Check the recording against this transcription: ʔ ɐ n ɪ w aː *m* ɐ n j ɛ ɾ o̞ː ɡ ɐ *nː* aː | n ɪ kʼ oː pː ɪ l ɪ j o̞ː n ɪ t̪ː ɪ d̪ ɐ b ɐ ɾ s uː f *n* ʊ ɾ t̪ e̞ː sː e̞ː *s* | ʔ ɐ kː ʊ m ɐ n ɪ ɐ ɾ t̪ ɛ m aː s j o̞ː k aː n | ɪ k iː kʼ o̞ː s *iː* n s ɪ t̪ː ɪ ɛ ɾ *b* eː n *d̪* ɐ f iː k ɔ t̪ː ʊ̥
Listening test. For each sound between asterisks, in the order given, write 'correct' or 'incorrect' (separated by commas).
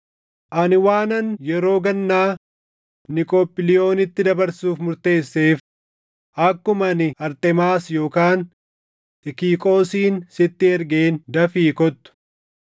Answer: incorrect, correct, incorrect, incorrect, correct, incorrect, correct